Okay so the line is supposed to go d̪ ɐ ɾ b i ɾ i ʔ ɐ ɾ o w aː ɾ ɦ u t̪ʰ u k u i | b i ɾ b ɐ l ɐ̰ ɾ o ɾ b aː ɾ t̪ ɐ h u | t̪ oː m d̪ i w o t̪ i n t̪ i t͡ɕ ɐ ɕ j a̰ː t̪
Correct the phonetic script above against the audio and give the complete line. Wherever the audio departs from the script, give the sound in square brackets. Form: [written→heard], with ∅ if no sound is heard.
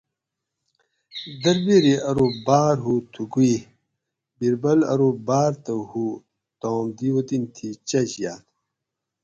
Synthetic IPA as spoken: d̪ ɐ ɾ b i ɾ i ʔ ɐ ɾ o [w→b] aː ɾ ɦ u t̪ʰ u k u i | b i ɾ b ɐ l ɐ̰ ɾ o [ɾ→∅] b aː ɾ t̪ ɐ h u | t̪ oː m d̪ i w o t̪ i n [t̪→t̪ʰ] i t͡ɕ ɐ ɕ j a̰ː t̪